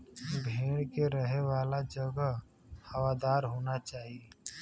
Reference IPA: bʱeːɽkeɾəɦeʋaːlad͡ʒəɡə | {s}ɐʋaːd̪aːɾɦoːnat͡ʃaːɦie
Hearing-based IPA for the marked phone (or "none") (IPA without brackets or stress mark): h